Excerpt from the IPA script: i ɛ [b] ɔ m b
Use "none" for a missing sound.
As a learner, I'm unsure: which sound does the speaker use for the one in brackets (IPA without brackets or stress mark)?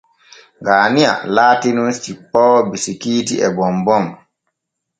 b